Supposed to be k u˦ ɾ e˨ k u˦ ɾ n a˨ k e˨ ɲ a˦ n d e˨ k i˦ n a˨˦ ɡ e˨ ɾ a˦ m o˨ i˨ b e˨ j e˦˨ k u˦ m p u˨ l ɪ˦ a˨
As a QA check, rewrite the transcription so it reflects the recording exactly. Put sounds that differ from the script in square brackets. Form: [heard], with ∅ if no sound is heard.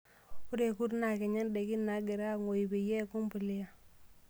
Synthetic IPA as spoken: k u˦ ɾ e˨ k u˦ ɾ n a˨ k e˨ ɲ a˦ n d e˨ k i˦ n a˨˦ ɡ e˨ ɾ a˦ [ŋ] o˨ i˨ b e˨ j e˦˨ k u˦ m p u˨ l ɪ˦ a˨